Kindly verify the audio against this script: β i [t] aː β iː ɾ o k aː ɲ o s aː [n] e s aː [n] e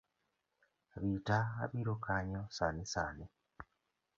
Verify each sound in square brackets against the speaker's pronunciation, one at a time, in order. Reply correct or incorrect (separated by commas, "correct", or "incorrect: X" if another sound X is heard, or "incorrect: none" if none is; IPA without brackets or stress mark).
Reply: correct, correct, correct